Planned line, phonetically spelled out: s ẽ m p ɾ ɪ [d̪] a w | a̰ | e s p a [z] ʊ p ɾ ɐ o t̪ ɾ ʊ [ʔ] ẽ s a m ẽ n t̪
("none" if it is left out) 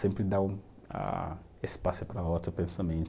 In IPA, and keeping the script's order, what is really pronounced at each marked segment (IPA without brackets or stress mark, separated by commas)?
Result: d̪, s, p